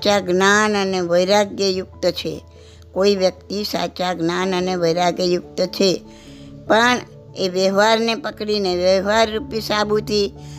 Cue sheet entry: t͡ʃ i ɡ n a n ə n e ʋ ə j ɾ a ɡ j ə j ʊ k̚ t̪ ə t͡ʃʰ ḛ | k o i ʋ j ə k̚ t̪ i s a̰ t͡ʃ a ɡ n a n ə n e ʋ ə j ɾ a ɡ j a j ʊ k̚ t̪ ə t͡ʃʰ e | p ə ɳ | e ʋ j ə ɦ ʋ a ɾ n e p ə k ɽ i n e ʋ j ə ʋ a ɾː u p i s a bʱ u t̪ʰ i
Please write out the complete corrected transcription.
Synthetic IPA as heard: t͡ʃ a ɡ n a n ə n e ʋ ə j ɾ a ɡ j ə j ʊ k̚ t̪ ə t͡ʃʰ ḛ | k o i ʋ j ə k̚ t̪ i s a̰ t͡ʃ a ɡ n a n ə n e ʋ ə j ɾ a ɡ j ə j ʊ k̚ t̪ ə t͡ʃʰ e | p ə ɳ | e ʋ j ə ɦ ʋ a ɾ n e p ə k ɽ i n e ʋ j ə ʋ a ɾː u p i s a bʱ u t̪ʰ i